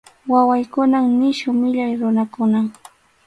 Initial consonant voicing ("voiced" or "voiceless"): voiced